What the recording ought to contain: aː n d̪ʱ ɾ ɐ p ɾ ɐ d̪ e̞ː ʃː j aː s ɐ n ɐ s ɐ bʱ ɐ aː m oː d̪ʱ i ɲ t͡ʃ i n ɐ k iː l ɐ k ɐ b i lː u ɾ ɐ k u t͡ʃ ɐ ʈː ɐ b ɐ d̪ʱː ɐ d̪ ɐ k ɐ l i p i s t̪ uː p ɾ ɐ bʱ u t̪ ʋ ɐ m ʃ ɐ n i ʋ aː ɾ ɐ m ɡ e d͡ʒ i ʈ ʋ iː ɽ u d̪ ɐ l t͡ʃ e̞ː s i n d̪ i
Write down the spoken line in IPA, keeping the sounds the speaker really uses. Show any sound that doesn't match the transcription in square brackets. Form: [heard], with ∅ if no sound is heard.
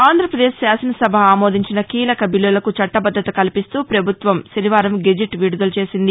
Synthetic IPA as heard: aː n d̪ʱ ɾ ɐ p ɾ ɐ d̪ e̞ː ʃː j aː s ɐ n ɐ s ɐ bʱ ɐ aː m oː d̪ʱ i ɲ t͡ʃ i n ɐ k iː l ɐ k ɐ b i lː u [l] ɐ k u t͡ʃ ɐ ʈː ɐ b ɐ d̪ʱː ɐ [t̪] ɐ k ɐ l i p i s t̪ uː p ɾ ɐ bʱ u t̪ ʋ ɐ m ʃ ɐ n i ʋ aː ɾ ɐ m ɡ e d͡ʒ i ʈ ʋ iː ɽ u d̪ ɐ l t͡ʃ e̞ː s i n d̪ i